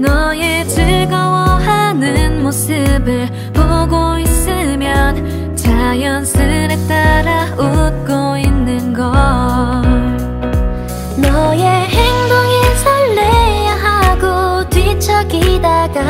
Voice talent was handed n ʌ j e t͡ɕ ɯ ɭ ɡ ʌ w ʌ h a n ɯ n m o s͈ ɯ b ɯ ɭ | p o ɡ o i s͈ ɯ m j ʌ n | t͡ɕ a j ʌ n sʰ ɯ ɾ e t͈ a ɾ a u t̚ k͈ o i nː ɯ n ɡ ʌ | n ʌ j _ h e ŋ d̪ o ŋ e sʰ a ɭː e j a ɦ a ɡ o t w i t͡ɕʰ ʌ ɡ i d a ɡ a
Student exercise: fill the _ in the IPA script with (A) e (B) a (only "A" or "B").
A